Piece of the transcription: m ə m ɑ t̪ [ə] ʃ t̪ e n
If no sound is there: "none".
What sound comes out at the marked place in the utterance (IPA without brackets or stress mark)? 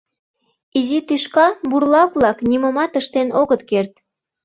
ə